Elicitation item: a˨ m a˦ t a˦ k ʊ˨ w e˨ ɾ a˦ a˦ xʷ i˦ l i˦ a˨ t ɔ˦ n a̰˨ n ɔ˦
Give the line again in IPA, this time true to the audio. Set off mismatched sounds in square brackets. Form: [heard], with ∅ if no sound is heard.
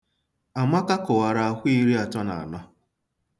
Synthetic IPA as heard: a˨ m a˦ [k] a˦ k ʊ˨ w [a˨] ɾ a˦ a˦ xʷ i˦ [ɾ] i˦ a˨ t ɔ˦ n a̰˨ n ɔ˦

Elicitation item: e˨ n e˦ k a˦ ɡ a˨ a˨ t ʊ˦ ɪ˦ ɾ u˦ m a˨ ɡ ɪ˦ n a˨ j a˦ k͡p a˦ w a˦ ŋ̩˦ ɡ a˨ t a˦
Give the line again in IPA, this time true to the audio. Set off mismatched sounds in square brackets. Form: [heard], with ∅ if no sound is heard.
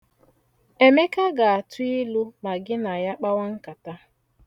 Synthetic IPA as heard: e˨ [m] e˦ k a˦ ɡ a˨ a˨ t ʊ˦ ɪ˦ [l] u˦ m a˨ ɡ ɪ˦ n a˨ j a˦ k͡p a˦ w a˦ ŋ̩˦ [k] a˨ t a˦

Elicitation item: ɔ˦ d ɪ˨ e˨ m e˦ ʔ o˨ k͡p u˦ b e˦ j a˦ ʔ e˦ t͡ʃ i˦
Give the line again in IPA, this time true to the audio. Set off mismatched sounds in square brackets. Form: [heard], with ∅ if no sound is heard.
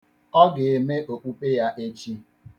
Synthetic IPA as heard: ɔ˦ [ɡ] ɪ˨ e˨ m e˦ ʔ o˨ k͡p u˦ [p] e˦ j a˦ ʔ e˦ t͡ʃ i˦

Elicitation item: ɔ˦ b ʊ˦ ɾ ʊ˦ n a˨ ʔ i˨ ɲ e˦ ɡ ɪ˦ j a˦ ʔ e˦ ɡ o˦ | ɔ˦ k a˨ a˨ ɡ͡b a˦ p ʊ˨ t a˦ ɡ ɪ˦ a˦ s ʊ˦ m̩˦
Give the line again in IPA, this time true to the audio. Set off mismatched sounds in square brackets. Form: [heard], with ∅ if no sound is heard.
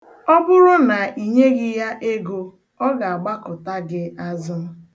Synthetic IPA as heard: ɔ˦ b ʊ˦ ɾ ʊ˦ n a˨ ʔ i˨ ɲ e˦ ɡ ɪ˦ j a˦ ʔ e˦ ɡ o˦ | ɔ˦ [ɡ] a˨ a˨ ɡ͡b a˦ [k] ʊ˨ t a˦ ɡ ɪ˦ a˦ [z] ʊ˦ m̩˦

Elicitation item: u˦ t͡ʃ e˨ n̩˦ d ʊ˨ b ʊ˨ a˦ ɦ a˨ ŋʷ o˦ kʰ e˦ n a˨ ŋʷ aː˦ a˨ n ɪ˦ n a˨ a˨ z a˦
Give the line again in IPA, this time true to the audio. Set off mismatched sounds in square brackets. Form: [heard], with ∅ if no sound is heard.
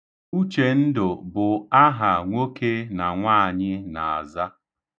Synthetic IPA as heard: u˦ t͡ʃ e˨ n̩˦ d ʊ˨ b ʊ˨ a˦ ɦ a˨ ŋʷ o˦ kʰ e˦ n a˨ ŋʷ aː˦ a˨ [ɲ] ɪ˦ n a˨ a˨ z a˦

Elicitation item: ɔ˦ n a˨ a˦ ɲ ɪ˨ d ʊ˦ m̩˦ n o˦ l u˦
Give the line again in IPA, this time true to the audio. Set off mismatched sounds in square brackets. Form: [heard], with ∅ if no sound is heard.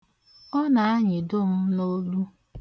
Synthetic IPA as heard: ɔ˦ n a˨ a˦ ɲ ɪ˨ d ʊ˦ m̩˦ n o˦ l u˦

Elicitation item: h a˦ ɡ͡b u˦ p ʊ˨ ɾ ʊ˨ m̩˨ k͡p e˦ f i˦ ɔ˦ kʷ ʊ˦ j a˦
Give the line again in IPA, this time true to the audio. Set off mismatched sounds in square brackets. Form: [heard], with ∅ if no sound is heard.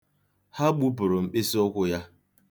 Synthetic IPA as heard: h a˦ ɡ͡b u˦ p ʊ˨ ɾ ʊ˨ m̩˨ k͡p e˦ [s] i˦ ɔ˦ kʷ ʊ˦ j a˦

